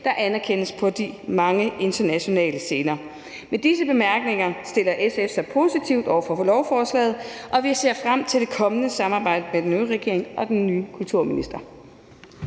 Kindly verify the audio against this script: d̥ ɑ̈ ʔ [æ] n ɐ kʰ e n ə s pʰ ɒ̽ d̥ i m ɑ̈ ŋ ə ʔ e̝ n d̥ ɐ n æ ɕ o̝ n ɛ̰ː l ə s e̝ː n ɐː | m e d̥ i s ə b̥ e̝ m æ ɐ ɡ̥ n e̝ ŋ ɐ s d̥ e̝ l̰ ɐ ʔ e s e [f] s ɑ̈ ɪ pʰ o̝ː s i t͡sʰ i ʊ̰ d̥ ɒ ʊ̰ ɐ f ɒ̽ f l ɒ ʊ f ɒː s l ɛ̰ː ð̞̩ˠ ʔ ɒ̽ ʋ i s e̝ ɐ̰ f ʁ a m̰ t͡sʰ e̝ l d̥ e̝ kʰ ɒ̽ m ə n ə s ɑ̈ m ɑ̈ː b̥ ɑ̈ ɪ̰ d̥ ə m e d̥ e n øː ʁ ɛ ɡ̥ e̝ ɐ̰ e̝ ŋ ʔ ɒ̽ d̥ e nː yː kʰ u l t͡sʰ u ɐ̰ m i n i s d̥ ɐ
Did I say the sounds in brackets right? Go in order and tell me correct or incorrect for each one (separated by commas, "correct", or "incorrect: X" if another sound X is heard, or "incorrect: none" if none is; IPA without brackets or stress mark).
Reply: correct, correct